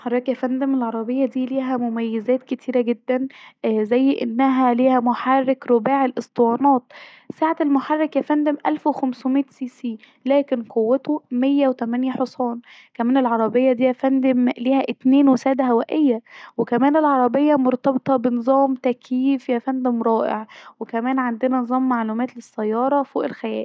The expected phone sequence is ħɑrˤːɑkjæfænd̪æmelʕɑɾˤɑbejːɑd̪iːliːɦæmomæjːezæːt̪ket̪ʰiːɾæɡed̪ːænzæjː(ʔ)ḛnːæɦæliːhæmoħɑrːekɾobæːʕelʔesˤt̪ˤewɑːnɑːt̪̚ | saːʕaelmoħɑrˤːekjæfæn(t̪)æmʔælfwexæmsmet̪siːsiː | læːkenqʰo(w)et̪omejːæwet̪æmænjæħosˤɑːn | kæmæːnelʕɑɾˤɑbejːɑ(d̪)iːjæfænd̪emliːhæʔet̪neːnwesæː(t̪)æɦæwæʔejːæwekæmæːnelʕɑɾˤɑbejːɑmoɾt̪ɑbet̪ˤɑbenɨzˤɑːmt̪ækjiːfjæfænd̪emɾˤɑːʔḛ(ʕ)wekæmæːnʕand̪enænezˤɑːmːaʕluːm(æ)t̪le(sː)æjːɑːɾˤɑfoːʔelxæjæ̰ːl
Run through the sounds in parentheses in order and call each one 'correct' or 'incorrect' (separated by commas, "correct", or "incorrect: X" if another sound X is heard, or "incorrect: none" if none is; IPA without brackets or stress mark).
correct, incorrect: d̪, incorrect: wː, correct, incorrect: d̪, correct, incorrect: æː, correct